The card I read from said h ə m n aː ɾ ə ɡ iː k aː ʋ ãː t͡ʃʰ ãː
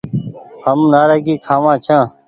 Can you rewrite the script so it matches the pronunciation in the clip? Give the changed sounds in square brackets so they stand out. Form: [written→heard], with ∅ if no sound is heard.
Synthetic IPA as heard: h ə m n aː ɾ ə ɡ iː [k→kʰ] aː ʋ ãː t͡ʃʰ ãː